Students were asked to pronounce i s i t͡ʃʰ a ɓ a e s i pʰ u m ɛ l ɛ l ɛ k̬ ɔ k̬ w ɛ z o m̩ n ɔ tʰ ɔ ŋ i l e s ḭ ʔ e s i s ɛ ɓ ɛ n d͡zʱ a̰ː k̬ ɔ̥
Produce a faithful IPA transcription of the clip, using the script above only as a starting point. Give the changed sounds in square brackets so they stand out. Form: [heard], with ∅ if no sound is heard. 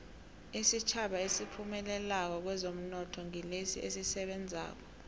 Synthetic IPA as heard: i s i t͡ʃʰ a ɓ a e s i pʰ u m ɛ l ɛ l [a] k̬ ɔ k̬ w ɛ z o m̩ n ɔ tʰ ɔ ŋ i l e s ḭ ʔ e s i s ɛ ɓ ɛ n d͡zʱ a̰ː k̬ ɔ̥